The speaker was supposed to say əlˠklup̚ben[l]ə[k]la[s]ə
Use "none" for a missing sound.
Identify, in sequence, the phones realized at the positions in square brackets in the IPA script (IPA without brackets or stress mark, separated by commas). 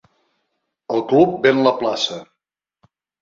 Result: l, p, s